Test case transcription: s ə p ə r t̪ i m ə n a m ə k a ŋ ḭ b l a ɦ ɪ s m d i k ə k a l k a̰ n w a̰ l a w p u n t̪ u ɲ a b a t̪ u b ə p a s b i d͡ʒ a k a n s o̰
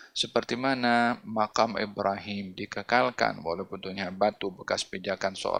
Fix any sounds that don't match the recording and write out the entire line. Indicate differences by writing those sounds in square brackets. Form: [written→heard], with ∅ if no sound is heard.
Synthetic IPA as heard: s ə p ə r t̪ i m [ə→a] n a m [ə→a] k a [ŋ→m] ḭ b [l→ɾ] a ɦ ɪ [s→∅] m d i k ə k a l k a̰ n w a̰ l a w p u n t̪ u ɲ a b a t̪ u b ə [p→k] a s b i d͡ʒ a k a n s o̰